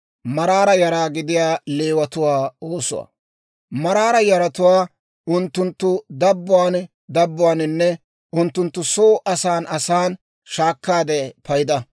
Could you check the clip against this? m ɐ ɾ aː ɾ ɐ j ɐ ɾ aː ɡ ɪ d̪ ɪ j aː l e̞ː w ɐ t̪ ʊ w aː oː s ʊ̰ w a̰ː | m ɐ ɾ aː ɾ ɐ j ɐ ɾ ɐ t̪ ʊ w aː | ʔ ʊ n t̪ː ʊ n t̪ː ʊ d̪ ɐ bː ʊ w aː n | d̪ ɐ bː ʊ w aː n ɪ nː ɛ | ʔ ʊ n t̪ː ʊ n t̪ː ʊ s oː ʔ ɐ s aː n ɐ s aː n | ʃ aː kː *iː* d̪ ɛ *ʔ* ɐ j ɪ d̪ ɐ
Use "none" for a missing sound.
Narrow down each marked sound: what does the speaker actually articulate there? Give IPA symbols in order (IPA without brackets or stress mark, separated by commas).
aː, p